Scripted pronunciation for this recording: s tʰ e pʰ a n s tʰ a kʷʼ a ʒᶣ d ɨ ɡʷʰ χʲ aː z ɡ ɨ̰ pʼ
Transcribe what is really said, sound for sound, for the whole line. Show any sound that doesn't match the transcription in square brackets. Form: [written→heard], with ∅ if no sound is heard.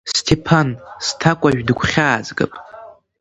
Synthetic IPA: s tʰ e pʰ a n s tʰ a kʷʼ a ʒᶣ d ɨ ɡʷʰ χʲ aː z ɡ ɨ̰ pʼ